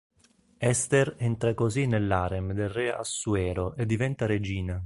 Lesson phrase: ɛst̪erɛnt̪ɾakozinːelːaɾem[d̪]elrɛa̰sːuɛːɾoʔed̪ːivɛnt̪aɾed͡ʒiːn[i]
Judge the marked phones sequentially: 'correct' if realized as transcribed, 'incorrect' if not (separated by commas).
correct, incorrect